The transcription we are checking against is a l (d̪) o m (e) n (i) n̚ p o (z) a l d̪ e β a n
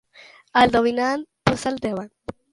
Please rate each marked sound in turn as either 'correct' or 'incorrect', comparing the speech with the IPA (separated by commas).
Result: correct, incorrect, incorrect, incorrect